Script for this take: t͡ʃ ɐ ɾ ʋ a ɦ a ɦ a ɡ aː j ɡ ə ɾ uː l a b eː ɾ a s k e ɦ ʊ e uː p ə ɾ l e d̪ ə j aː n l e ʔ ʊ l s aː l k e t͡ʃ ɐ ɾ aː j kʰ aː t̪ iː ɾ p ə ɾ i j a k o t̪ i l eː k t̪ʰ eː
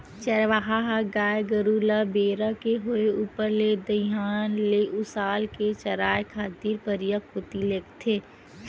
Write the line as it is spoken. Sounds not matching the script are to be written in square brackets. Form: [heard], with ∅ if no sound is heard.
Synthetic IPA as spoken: t͡ʃ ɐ ɾ ʋ a ɦ a ɦ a ɡ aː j ɡ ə ɾ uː l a b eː ɾ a [∅] k e ɦ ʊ e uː p ə ɾ l e d̪ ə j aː n l e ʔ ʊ [∅] s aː l k e t͡ʃ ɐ ɾ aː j kʰ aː t̪ iː ɾ p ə ɾ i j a k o t̪ i l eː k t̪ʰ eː